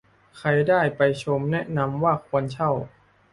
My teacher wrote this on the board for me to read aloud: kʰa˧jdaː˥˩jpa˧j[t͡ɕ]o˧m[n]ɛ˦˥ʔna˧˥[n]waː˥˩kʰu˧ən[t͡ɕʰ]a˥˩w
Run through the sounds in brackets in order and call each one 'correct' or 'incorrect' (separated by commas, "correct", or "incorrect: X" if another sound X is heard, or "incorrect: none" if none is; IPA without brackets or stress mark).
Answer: incorrect: t͡ɕʰ, correct, incorrect: m, correct